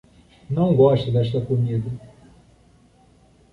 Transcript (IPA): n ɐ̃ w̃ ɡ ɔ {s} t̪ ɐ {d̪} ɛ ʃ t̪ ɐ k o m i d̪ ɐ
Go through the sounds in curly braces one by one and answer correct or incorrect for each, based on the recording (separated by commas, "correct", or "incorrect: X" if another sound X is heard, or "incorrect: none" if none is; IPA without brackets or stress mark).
incorrect: ʃ, correct